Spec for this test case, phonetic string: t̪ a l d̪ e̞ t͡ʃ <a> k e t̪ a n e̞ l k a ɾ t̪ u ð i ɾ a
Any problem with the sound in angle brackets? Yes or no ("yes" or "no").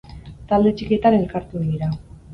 yes